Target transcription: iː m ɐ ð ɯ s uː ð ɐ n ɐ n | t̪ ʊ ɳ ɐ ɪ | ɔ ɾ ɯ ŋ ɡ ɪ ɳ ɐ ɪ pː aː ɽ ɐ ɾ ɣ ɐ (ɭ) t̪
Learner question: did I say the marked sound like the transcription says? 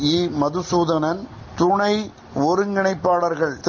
yes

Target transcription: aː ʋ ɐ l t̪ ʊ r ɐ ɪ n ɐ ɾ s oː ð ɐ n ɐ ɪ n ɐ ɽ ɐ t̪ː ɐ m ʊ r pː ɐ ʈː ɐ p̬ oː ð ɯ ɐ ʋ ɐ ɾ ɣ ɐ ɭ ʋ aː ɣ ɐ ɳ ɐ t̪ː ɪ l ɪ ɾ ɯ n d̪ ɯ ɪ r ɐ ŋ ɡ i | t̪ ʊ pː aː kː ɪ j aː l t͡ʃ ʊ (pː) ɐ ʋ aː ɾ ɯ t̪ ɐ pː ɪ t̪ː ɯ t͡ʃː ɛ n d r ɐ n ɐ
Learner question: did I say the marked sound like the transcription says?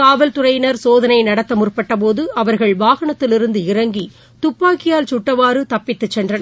no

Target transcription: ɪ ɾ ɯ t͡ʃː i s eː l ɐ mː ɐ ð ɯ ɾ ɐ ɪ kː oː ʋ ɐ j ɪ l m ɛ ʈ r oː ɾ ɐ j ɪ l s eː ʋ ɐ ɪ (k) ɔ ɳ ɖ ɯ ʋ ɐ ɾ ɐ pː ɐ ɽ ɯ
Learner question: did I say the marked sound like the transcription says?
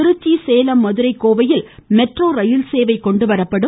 yes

